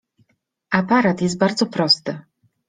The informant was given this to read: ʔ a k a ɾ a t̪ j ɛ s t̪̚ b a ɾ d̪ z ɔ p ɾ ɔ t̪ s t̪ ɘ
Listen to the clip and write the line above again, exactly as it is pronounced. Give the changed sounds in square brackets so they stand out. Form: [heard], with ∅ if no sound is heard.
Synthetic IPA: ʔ a [p] a ɾ a t̪ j ɛ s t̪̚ b a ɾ d̪ z ɔ p ɾ ɔ [∅] s t̪ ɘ